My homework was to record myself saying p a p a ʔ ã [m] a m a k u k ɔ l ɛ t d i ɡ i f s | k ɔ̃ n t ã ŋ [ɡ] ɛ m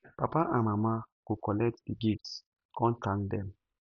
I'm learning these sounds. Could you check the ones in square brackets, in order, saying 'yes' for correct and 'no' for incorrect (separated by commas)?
yes, no